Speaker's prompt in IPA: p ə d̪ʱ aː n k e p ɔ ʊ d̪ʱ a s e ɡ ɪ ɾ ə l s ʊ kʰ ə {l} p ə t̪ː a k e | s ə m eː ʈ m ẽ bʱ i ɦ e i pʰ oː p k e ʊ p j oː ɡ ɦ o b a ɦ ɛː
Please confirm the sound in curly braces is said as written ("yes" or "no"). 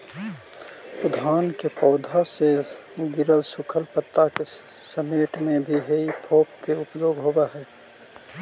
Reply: yes